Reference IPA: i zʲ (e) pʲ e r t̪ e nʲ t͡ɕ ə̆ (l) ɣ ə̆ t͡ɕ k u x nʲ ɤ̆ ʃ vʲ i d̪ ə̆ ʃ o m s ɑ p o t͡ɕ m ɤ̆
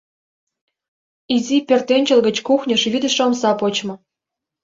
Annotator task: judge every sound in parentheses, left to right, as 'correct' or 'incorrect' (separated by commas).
incorrect, correct